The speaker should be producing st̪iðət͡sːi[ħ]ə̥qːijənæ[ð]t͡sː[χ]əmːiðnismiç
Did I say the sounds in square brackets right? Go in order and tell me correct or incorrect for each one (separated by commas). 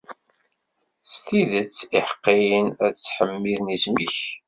correct, correct, incorrect